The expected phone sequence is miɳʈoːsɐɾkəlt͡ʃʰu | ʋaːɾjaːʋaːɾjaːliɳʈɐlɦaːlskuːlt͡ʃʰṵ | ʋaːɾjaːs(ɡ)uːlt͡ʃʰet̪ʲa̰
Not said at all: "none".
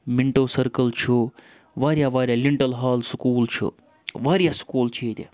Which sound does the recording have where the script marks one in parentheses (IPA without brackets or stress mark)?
k